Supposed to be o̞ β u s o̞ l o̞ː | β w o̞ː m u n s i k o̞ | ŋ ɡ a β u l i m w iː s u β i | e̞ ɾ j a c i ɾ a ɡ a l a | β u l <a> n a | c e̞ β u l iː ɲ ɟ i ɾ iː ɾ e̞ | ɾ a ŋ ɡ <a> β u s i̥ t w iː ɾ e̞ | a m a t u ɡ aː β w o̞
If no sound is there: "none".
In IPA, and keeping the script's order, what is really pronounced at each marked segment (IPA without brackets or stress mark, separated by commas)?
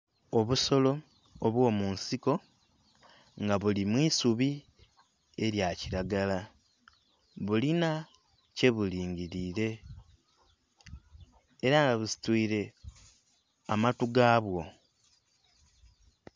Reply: i, a